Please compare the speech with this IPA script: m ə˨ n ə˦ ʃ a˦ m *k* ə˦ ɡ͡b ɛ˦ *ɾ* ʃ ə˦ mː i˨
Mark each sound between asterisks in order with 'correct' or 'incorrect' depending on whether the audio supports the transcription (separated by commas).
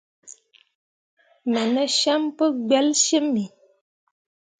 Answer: incorrect, incorrect